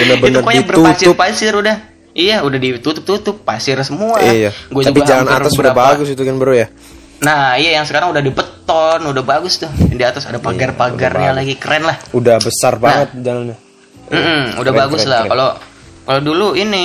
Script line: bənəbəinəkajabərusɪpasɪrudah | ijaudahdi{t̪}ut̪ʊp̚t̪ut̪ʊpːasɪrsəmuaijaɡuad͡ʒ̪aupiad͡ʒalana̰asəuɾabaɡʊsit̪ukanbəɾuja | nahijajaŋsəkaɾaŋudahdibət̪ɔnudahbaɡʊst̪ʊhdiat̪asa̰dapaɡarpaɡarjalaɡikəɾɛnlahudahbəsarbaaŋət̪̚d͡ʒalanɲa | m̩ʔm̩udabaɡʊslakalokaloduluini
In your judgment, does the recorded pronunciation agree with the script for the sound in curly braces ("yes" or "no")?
yes